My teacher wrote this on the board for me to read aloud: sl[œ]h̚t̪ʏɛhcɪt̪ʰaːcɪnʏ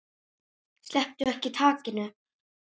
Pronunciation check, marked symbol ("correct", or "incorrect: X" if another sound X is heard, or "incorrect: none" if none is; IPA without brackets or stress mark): incorrect: ɛ